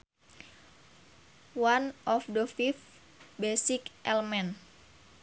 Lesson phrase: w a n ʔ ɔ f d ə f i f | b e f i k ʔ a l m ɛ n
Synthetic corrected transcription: w a n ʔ ɔ f d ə f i f | b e s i k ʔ ɛ l m ɛ n